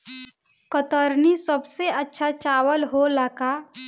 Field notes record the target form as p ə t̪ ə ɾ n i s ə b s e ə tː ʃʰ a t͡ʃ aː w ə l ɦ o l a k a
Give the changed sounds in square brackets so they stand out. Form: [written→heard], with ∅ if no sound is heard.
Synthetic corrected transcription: [p→k] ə t̪ ə ɾ n i s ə b s e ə tː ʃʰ a t͡ʃ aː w ə l ɦ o l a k a